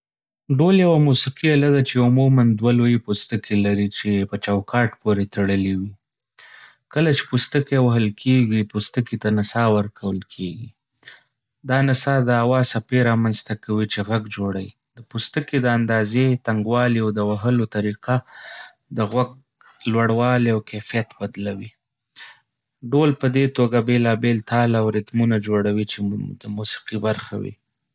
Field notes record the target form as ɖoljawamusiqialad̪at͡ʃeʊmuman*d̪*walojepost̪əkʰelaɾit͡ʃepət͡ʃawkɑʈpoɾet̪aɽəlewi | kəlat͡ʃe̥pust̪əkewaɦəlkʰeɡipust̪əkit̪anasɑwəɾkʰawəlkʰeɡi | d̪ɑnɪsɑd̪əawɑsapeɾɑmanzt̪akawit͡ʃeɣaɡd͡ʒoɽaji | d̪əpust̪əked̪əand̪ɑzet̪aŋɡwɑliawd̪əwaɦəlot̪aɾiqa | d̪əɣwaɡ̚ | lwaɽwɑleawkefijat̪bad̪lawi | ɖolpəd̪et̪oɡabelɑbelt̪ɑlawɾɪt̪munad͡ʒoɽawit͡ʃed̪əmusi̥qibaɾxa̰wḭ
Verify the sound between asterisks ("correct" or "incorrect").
correct